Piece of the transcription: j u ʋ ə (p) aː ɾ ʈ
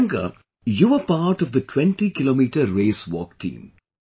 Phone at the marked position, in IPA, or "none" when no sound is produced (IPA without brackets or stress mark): p